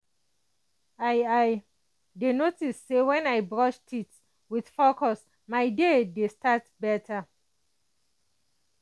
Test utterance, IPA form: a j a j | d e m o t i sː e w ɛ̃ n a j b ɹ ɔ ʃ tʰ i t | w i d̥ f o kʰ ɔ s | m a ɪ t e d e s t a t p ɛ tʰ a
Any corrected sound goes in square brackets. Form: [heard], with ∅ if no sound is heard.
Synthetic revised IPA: a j a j | d e [n] o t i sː e w ɛ̃ n a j b ɹ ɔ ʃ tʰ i t | w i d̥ f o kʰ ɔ s | m a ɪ [d] e d e s t a t [b] ɛ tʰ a

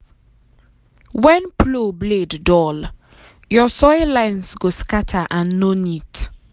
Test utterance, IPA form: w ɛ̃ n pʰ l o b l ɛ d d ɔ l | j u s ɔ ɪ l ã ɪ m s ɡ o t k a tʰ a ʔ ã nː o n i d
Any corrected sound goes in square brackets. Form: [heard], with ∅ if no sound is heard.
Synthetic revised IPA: w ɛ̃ n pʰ l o b l [e] d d ɔ l | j [ɔ] s ɔ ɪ l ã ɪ [n] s ɡ o [s] k a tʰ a ʔ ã nː o n i [t]

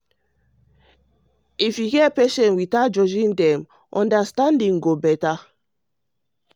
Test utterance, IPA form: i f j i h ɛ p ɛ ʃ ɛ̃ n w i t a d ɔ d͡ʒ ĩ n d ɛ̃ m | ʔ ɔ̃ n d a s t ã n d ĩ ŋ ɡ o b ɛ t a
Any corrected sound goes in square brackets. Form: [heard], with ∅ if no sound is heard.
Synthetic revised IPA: i f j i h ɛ p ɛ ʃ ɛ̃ n w i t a [d͡ʒ] ɔ d͡ʒ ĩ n d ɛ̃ m | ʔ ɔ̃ n d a s t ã n d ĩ ŋ ɡ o b ɛ t a

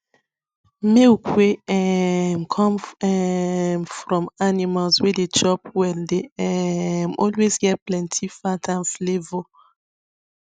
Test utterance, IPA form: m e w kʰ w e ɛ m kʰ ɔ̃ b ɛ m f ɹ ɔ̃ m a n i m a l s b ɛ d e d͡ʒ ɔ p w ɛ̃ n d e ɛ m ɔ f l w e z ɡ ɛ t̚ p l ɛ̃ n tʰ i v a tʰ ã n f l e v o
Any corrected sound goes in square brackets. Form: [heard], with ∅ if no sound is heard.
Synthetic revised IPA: m e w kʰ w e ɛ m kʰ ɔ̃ [m] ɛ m f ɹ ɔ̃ m a n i m a l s [w] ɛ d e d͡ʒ ɔ p w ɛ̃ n d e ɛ m ɔ [∅] l w e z ɡ ɛ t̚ p l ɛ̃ n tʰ i [f] a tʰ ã n f l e v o

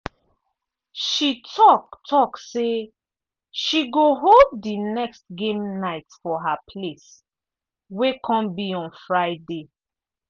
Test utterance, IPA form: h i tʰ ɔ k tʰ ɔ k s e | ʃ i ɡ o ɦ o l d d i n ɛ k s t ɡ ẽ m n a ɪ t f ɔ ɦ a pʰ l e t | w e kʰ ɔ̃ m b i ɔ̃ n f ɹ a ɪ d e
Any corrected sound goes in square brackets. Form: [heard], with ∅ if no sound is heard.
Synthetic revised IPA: [ʃ] i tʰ ɔ k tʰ ɔ k s e | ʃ i ɡ o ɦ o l d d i n ɛ k s t ɡ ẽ m n a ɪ t f ɔ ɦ a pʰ l e [s] | w e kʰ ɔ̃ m b i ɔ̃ n f ɹ a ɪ d e

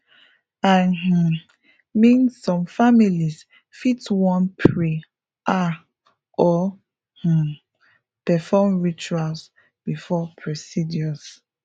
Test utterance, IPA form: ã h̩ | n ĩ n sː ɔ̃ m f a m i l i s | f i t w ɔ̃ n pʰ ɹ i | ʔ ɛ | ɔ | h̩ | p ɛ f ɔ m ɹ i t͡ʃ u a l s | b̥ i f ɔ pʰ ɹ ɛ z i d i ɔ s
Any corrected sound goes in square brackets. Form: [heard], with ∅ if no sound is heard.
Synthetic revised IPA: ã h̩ | [m] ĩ n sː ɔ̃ m f a m i l i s | f i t w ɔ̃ n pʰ ɹ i | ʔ [a] | ɔ | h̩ | p ɛ f ɔ m ɹ i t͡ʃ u a l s | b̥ i f ɔ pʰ ɹ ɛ [s] i d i ɔ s

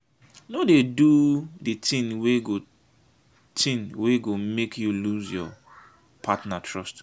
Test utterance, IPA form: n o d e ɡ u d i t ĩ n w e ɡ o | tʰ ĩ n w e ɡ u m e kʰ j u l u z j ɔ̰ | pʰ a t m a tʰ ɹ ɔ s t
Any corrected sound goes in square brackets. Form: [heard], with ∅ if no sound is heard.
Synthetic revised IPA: n o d e [d] u d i t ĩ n w e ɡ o | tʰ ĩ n w e ɡ [o] m e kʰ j u l u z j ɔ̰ | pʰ a t [n] a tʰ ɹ ɔ s t

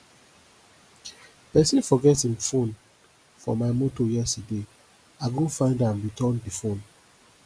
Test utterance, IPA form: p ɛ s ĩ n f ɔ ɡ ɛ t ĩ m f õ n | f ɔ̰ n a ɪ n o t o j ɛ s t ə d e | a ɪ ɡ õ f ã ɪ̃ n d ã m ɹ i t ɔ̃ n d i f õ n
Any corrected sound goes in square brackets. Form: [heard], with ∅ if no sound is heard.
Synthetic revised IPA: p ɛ s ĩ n f ɔ ɡ ɛ t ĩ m f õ n | f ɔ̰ [m] a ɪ [m] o t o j ɛ s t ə d e | a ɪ ɡ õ f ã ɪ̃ n d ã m ɹ i t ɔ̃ n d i f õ n

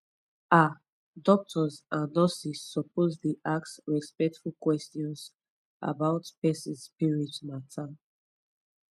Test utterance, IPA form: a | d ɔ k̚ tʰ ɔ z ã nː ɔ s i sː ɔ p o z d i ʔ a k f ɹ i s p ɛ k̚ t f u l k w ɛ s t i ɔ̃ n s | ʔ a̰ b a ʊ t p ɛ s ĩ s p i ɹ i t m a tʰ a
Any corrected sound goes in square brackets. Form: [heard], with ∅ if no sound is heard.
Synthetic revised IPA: a | d ɔ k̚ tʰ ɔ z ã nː ɔ s i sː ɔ p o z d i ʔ a k [s] ɹ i s p ɛ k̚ t f u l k w ɛ s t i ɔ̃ n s | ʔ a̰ b a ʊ t p ɛ s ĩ s p i ɹ i t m a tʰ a

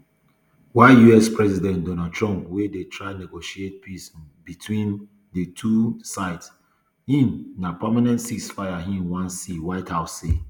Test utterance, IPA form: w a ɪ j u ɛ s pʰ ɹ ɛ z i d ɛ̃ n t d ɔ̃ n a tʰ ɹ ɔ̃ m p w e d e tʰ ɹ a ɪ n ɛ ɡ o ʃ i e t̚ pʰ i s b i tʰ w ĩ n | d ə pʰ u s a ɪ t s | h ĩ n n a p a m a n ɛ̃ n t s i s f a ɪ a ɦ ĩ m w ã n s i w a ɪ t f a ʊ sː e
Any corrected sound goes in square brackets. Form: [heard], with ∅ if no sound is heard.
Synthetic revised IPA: w a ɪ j u ɛ s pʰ ɹ ɛ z i d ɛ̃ n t d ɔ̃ n a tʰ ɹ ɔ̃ m p w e d e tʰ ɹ a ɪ n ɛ ɡ o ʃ i e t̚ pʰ i s b i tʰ w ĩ n | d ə [tʰ] u s a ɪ t s | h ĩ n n a p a m a n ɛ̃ n t s i s f a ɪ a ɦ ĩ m w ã n s i w a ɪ t [h] a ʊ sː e

